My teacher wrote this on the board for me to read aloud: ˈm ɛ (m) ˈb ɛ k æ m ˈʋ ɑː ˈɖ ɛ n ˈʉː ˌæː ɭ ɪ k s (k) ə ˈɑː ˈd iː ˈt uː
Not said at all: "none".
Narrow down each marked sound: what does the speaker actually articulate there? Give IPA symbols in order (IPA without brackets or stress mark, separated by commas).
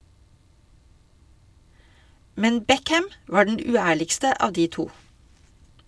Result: n, t